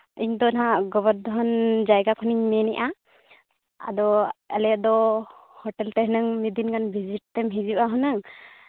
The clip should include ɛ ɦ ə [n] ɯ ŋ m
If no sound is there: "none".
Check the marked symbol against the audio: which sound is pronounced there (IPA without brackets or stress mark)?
n